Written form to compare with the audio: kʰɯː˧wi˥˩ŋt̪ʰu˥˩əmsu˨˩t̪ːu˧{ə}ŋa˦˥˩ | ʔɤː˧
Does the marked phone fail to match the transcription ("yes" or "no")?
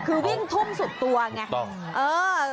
yes